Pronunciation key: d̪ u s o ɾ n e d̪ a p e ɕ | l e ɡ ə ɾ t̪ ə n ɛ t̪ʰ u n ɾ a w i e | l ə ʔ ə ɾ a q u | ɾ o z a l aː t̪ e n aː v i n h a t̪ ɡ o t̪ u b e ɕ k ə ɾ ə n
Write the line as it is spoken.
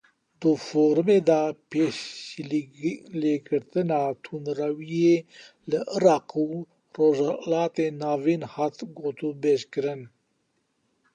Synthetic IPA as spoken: d̪ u f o ɾ m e d̪ a p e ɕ | l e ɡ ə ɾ t̪ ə n a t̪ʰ u n ɾ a w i e | l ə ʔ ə ɾ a q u | ɾ o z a l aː t̪ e n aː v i n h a t̪ ɡ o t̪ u b e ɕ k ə ɾ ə n